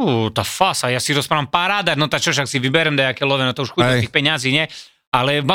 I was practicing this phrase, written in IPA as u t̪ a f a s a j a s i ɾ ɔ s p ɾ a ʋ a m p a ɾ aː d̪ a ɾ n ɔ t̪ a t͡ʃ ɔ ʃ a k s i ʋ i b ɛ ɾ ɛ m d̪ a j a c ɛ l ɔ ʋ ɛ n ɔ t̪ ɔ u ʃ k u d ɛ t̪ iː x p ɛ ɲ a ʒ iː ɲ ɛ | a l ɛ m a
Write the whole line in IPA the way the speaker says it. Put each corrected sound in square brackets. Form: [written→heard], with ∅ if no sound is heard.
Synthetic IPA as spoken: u t̪ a f a s a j a s i ɾ ɔ s p ɾ a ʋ a m p a ɾ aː d̪ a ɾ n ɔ t̪ a t͡ʃ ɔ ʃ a k s i ʋ i b ɛ ɾ ɛ m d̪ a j a [c→k] ɛ l ɔ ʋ ɛ n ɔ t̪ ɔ u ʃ [k→x] u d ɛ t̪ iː x p ɛ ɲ a [ʒ→z] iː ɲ ɛ | a l ɛ m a